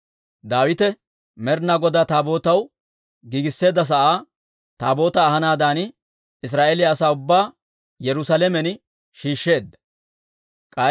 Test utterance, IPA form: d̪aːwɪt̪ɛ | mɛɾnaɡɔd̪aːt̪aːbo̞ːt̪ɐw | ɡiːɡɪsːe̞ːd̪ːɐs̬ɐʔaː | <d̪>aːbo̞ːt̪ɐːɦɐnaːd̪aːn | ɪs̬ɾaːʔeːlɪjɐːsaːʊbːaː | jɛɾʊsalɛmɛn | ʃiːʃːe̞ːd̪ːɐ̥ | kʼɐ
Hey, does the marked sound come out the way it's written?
no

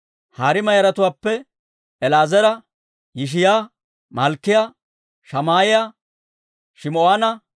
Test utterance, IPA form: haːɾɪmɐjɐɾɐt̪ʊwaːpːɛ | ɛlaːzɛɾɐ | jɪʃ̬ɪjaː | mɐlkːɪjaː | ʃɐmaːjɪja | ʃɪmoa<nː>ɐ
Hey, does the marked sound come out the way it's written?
no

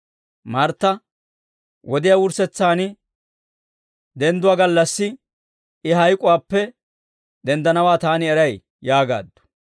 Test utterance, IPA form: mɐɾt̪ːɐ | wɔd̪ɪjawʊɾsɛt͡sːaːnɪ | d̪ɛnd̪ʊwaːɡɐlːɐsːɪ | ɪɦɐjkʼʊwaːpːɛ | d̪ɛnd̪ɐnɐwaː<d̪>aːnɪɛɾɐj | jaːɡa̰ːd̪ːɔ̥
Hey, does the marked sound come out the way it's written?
no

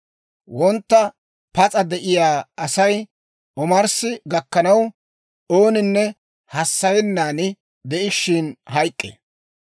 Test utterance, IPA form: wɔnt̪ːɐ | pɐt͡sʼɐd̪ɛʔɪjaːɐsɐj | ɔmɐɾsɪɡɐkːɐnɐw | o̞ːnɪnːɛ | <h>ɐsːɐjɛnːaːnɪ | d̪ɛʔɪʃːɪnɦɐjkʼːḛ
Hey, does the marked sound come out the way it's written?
yes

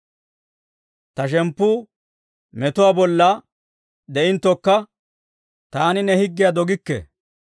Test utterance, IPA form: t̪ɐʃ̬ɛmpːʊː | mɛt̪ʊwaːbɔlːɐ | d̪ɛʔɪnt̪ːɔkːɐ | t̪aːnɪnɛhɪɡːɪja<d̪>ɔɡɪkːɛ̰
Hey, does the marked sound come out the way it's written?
yes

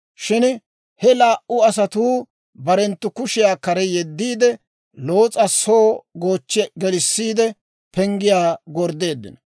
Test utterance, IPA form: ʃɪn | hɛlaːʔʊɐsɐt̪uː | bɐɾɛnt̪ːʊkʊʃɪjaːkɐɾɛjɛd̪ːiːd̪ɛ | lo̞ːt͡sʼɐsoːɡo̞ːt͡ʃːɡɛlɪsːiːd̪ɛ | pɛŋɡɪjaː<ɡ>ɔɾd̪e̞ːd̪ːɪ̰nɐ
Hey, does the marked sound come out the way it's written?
yes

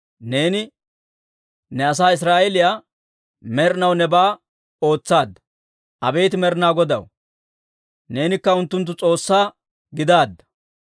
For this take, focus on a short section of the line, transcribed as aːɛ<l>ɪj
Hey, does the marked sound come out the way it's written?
yes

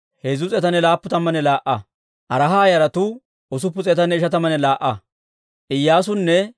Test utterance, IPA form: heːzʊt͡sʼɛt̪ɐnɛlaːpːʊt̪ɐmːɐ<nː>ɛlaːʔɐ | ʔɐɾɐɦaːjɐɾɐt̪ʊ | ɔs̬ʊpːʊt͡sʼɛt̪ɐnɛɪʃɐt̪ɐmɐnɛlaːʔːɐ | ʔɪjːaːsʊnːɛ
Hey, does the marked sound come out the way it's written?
no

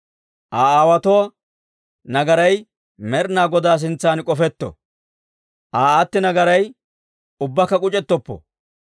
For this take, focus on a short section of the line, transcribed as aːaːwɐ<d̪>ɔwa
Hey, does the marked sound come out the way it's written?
no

